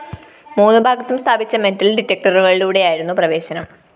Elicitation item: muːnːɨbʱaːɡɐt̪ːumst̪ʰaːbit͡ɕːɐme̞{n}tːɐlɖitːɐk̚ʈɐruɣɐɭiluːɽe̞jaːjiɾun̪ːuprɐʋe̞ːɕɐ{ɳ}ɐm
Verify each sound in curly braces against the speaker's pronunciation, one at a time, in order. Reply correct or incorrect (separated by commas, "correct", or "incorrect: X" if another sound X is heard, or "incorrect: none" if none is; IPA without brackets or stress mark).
correct, incorrect: n